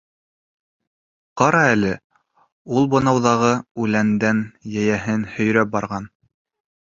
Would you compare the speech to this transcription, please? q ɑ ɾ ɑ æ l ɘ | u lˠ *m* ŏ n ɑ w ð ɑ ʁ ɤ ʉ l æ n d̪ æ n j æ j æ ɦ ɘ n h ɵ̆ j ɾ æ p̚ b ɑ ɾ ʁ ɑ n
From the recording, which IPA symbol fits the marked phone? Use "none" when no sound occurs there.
b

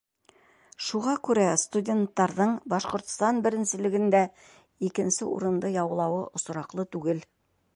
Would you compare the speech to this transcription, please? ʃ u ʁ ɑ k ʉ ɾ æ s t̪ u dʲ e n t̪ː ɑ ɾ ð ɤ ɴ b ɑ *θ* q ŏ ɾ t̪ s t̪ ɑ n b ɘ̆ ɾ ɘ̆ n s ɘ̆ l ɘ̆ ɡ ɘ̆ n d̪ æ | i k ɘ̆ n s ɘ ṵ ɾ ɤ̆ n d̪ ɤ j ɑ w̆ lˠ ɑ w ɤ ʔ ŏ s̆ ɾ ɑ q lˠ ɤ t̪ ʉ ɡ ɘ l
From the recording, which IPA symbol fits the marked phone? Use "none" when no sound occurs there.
ʃ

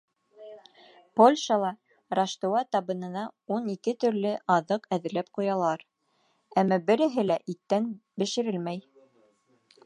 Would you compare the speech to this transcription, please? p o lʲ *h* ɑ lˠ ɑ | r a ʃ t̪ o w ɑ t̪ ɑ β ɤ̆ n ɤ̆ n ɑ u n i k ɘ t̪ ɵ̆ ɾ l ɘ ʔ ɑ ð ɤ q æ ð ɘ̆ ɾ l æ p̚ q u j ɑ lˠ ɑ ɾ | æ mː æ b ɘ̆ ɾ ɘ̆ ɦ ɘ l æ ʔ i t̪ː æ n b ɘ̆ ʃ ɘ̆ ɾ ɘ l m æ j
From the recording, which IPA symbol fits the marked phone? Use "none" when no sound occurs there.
ʃ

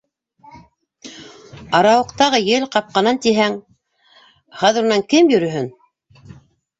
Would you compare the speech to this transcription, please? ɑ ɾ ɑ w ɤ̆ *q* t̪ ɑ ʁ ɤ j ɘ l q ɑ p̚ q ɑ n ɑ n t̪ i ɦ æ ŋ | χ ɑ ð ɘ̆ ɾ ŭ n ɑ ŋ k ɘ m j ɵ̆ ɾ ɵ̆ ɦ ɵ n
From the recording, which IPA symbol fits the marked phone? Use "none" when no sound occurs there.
q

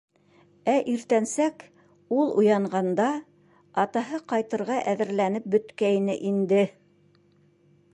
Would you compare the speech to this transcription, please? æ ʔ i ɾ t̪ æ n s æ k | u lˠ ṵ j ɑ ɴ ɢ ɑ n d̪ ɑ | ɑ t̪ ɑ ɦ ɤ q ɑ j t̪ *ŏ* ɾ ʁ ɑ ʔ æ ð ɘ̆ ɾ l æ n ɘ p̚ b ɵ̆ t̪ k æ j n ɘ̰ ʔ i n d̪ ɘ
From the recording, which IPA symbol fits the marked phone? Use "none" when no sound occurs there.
ɤ̆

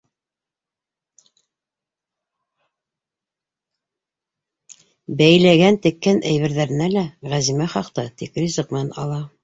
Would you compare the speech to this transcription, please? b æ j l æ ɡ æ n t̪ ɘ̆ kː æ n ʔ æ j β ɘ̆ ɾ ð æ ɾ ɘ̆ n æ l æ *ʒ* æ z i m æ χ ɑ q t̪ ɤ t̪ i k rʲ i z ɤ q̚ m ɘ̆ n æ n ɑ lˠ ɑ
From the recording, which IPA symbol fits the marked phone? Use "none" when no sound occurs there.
ʁ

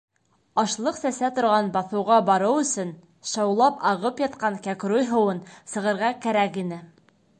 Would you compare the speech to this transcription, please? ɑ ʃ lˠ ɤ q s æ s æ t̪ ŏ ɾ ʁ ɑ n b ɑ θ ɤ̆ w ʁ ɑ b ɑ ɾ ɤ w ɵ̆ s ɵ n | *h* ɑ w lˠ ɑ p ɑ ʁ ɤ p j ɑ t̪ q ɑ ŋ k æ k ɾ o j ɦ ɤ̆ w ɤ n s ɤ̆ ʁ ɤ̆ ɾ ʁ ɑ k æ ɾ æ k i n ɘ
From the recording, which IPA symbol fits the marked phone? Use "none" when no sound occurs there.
ʃ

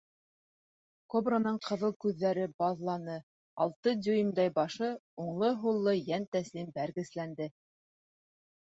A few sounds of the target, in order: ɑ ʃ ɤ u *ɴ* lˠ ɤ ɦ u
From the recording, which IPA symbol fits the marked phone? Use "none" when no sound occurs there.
ɴ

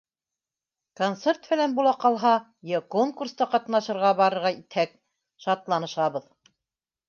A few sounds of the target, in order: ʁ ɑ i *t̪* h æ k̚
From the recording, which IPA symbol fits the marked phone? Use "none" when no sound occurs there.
t̪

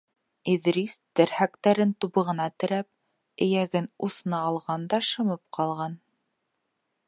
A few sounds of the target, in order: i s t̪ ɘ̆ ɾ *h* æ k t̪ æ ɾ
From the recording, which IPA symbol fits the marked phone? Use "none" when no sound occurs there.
h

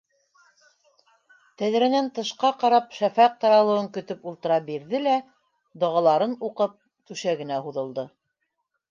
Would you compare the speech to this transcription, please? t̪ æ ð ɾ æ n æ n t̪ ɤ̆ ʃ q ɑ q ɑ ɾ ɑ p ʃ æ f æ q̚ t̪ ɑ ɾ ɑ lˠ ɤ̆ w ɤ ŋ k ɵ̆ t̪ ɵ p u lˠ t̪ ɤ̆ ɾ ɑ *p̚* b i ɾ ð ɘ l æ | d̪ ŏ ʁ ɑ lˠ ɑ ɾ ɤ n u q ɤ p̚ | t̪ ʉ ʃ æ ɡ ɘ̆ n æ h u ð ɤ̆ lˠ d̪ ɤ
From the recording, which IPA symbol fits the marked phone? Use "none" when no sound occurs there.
none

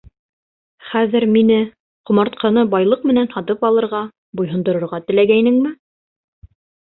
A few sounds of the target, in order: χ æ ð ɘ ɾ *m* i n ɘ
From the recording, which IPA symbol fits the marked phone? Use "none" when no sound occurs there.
m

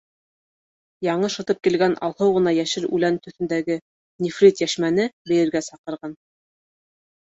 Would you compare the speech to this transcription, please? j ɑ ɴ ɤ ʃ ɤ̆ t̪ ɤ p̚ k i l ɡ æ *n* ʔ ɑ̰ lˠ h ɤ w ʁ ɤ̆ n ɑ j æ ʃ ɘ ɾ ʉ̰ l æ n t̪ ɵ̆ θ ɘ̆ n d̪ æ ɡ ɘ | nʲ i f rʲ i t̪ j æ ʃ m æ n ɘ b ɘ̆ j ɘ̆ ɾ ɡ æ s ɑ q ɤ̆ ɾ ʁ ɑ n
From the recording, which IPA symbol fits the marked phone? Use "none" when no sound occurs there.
n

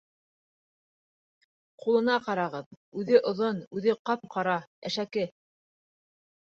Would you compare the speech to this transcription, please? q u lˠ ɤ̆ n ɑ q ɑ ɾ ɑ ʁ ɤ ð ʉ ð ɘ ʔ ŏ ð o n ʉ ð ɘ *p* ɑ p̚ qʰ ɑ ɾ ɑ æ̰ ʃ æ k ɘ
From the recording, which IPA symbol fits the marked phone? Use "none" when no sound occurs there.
q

